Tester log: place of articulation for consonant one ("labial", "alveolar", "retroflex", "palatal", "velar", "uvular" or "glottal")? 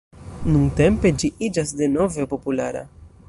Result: alveolar